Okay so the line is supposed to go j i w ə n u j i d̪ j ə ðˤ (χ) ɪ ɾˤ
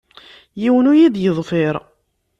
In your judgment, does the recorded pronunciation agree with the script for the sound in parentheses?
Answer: no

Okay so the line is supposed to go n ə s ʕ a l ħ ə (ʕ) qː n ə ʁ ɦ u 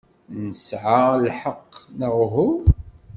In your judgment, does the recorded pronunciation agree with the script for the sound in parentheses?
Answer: no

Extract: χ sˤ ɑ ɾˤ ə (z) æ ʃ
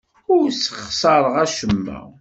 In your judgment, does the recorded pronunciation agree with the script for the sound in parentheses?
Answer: no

